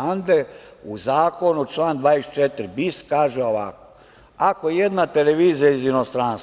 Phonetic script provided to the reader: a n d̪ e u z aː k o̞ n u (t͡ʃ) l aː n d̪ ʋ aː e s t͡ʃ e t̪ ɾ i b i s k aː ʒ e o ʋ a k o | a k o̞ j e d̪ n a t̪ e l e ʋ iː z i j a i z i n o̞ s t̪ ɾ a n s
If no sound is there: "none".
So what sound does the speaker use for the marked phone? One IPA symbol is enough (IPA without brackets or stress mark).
t͡ʃ